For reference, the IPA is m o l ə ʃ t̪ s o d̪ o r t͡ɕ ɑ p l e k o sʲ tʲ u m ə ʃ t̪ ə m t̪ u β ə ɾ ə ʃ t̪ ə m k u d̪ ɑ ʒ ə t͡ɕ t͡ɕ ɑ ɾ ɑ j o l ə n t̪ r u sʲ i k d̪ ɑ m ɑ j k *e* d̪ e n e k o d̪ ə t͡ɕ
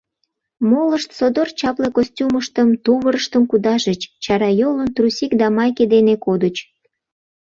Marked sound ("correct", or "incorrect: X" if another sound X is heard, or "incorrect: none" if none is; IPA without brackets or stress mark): correct